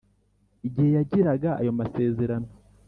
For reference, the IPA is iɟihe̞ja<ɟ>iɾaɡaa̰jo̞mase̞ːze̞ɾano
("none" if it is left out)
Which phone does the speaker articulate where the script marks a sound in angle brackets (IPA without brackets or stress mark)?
ɟ